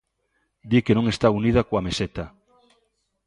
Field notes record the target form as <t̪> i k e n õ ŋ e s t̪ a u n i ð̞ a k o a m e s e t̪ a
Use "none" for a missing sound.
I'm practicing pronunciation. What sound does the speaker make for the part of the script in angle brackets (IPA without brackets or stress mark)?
d̪